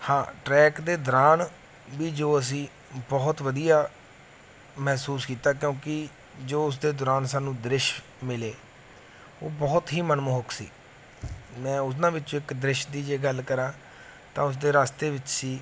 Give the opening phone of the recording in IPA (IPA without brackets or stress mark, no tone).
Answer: h